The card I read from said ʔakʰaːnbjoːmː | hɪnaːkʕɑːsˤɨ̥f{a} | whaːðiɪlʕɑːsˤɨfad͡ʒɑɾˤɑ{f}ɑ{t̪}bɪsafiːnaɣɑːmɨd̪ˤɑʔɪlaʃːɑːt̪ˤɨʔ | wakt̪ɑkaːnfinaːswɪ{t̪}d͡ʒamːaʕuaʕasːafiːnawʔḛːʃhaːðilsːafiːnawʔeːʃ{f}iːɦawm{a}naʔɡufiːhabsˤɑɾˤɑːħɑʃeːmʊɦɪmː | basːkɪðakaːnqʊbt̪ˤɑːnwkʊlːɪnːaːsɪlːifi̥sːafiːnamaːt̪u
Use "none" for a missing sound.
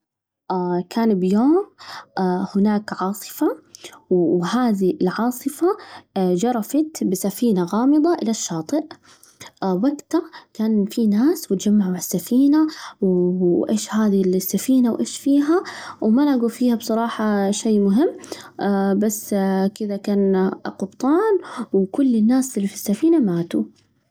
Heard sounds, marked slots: a, f, t̪, t̪, f, a

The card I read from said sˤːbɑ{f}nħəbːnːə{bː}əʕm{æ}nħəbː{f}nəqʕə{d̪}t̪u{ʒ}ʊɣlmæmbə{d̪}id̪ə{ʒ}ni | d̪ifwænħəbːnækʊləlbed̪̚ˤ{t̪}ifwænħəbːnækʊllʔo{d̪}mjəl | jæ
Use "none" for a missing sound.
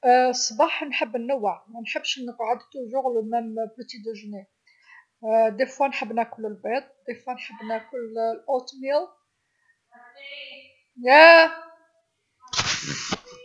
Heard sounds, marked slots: ħ, wː, æ, ʃ, d̪, ʒ, t̪, ʒ, d̪, t̪

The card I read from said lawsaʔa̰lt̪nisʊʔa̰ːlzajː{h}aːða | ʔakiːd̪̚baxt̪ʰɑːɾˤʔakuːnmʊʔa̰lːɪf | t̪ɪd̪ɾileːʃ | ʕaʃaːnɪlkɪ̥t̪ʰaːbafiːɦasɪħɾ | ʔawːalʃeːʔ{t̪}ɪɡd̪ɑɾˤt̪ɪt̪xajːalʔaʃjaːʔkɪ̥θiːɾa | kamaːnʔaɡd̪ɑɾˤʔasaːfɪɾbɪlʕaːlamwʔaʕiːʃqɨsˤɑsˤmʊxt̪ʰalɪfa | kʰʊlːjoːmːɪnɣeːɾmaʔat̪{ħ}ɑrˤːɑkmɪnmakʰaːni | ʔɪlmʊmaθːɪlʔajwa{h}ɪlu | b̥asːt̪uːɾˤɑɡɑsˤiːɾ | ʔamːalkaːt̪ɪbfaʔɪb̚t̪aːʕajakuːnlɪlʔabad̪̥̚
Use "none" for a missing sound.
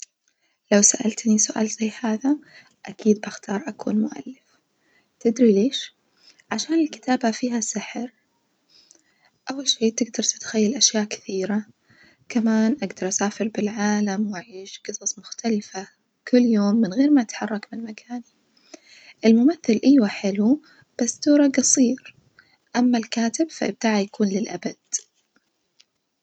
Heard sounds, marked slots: h, t̪, ħ, ħ

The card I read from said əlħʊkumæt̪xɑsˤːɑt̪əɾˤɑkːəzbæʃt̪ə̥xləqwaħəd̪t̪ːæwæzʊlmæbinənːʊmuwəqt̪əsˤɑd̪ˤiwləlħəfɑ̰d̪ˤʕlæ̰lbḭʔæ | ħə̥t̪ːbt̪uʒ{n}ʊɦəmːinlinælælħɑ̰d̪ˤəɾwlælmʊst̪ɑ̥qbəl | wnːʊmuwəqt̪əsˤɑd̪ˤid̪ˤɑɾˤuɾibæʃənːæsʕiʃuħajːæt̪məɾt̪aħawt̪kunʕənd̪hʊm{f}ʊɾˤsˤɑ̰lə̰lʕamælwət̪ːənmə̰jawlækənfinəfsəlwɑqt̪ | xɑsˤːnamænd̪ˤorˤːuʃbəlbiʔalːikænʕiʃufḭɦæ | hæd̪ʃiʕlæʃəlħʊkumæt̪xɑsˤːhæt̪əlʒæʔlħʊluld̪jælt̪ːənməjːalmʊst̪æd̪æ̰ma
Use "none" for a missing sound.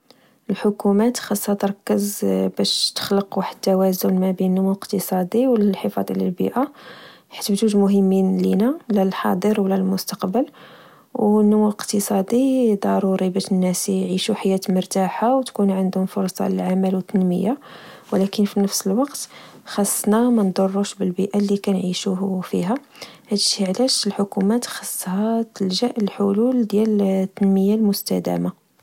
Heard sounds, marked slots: m, f

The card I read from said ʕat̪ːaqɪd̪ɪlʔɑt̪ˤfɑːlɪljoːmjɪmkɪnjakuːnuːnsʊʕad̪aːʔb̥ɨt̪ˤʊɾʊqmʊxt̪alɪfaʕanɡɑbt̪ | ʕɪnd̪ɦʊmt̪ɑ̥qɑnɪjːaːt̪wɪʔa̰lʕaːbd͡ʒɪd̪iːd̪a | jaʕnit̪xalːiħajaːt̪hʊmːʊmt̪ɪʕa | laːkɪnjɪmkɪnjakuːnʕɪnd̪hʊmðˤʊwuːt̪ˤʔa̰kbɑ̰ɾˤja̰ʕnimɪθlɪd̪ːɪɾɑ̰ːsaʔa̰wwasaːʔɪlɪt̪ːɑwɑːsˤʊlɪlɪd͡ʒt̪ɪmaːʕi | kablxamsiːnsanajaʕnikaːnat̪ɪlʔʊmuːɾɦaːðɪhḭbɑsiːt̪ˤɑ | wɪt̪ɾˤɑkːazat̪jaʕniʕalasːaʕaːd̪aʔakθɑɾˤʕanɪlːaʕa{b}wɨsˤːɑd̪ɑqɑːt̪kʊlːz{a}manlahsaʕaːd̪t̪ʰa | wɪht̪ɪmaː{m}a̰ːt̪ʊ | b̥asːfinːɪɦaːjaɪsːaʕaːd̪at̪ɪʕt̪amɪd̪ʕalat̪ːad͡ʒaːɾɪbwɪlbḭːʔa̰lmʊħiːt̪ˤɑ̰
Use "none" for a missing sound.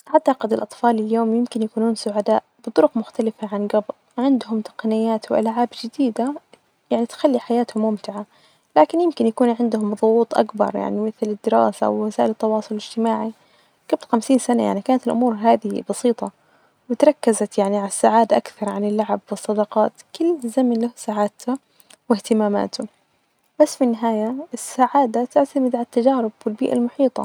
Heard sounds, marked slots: b, a, m

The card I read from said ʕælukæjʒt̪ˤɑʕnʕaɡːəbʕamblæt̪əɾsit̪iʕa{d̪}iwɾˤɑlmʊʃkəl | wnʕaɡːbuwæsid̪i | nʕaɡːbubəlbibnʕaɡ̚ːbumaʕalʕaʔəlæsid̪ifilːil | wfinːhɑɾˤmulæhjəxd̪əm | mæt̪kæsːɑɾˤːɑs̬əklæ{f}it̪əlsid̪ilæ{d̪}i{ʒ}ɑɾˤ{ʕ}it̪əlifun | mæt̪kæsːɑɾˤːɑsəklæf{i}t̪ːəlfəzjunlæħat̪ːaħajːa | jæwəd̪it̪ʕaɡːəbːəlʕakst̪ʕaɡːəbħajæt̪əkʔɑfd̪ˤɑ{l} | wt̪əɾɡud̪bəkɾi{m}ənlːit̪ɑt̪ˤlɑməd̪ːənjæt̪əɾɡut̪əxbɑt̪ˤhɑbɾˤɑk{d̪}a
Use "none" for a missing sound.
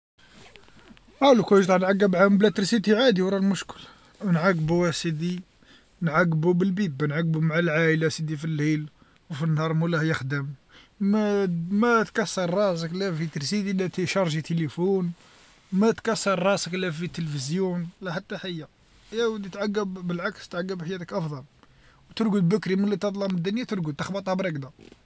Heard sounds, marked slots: d̪, f, t̪, ʃ, ʒ, i, l, m, d̪

